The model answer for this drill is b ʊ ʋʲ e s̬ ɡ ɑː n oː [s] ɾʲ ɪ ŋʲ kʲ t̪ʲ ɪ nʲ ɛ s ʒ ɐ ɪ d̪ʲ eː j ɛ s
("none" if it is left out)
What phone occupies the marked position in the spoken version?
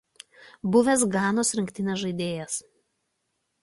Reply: s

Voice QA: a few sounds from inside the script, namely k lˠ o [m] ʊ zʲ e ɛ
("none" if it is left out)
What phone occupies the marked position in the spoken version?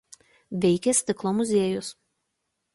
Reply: m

